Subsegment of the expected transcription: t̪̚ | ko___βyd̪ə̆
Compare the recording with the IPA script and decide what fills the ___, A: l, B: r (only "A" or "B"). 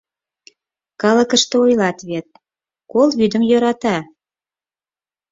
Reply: A